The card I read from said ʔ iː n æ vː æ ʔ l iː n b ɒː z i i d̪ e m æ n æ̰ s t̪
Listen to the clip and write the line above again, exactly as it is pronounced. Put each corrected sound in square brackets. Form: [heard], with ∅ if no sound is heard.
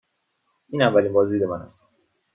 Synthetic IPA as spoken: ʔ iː n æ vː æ [∅] l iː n b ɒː z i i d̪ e m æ n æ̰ s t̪